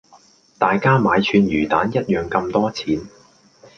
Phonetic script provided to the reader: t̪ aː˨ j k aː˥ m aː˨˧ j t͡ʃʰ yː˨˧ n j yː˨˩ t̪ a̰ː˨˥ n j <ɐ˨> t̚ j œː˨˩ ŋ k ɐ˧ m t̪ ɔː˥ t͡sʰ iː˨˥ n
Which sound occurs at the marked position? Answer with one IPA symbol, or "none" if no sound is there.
ɐ˥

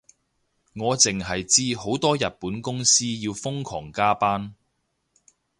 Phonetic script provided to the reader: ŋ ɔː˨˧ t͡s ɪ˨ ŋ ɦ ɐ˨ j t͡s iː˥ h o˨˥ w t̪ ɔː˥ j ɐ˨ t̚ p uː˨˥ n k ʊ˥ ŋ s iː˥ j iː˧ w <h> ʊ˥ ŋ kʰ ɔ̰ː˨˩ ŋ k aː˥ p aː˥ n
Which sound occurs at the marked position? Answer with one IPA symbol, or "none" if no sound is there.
f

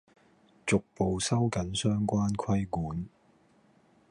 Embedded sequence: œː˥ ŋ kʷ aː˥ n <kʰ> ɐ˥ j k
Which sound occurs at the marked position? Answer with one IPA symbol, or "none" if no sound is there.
kʰ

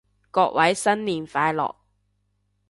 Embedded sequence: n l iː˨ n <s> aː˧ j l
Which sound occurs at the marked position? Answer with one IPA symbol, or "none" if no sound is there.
f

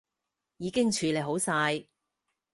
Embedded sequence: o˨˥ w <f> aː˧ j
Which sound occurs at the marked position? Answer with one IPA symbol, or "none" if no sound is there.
s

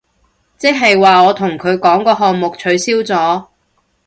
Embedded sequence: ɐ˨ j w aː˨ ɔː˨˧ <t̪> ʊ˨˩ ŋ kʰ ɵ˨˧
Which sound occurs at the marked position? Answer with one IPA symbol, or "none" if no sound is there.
t̪ʰ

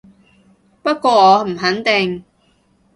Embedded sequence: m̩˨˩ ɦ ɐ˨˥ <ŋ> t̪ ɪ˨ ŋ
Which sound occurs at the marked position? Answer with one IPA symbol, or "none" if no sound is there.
n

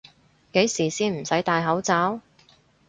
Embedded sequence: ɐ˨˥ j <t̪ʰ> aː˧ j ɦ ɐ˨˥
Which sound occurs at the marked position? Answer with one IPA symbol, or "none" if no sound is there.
t̪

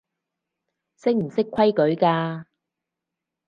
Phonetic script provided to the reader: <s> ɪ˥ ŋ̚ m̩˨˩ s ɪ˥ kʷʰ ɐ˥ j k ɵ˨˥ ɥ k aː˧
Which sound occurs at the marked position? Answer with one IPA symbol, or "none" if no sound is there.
s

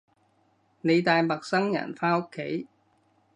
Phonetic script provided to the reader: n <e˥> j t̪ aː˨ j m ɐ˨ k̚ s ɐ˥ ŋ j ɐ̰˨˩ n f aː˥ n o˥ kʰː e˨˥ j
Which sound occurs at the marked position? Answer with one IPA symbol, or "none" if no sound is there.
e˨˧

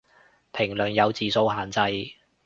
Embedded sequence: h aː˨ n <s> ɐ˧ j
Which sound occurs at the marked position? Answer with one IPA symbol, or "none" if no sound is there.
t͡s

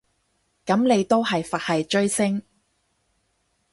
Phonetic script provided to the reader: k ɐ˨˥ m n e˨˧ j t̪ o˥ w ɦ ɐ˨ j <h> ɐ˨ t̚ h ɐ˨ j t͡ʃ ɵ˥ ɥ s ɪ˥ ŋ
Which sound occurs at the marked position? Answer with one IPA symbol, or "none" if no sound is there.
f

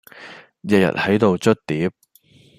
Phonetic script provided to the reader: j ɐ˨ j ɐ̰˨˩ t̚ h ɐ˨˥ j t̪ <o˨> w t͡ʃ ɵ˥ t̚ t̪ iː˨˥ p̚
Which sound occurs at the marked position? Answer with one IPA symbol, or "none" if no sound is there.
o˨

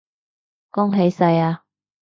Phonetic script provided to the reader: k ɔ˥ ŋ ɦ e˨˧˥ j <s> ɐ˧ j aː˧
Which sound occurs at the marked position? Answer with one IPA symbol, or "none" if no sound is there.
s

